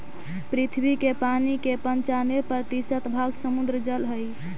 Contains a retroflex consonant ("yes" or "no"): no